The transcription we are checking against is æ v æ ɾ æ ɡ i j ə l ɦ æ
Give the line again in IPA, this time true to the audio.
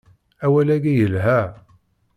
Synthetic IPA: æ w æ l æ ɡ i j ə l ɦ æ